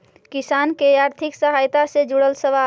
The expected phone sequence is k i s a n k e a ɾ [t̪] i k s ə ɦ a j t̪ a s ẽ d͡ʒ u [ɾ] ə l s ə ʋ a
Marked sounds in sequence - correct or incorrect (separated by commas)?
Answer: incorrect, incorrect